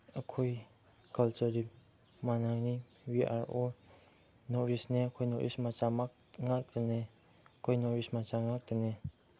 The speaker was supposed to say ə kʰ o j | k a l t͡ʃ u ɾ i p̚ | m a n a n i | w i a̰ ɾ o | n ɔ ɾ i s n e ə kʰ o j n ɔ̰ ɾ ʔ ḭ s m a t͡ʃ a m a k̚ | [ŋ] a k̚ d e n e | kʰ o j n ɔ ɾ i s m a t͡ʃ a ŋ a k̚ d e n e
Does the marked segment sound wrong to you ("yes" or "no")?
no